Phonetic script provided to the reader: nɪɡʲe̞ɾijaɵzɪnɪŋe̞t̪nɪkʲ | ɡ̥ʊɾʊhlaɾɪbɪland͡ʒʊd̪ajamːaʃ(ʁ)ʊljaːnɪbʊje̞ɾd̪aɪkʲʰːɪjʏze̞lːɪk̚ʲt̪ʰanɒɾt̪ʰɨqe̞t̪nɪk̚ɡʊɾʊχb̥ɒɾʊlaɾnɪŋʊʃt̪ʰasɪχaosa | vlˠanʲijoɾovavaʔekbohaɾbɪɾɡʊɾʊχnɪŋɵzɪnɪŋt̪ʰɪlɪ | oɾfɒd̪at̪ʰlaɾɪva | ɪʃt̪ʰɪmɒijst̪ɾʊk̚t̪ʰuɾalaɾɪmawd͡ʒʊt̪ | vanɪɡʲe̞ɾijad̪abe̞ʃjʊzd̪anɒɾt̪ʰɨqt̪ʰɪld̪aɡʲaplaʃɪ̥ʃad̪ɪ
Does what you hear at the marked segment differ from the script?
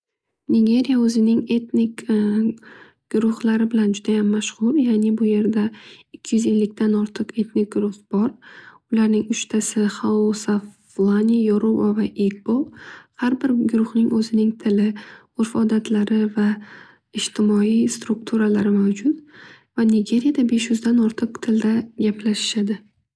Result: no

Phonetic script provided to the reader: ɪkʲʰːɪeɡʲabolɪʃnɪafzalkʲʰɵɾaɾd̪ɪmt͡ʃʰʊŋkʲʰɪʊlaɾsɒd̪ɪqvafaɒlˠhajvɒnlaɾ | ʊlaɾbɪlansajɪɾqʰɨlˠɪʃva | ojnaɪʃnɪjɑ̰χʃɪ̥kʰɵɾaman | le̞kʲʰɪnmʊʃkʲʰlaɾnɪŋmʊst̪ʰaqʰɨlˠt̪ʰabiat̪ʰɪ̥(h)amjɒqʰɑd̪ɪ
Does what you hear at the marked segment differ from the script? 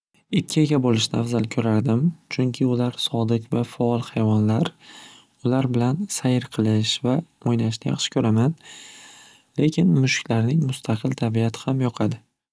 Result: no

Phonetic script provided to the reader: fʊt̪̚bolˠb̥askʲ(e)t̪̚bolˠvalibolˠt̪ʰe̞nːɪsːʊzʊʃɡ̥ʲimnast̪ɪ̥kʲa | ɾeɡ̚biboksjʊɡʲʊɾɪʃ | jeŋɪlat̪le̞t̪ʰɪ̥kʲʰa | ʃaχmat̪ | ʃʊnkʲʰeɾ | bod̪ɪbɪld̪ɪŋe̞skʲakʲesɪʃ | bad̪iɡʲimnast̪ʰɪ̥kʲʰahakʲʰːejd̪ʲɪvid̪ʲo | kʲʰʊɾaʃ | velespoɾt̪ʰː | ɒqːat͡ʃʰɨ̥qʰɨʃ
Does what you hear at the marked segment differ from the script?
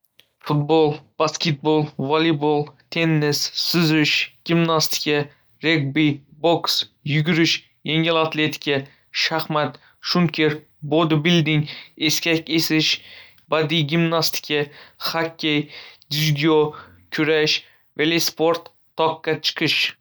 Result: no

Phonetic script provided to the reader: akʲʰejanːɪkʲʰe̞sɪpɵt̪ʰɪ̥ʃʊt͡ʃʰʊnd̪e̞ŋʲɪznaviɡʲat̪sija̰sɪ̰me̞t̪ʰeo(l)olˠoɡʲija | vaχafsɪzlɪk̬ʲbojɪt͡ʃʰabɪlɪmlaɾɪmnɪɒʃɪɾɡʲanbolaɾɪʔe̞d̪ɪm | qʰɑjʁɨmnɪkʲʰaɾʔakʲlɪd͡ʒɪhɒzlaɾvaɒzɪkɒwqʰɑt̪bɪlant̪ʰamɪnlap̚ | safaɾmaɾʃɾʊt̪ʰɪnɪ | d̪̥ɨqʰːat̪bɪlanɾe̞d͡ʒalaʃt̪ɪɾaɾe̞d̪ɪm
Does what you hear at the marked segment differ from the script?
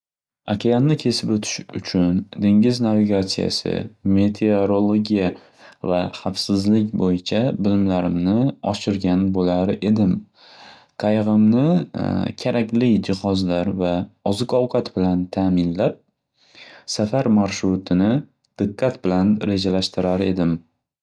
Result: yes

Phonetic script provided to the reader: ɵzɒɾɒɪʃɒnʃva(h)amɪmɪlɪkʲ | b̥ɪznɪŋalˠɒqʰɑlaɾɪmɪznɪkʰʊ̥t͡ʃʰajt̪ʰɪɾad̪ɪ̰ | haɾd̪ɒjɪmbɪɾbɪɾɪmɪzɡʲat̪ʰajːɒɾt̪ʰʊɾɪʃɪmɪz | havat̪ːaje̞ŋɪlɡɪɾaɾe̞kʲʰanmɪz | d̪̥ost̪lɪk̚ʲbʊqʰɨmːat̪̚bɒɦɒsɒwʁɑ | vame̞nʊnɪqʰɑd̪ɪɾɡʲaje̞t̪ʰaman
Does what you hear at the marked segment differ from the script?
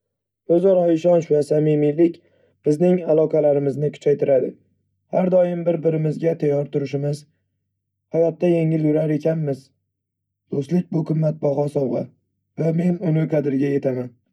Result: yes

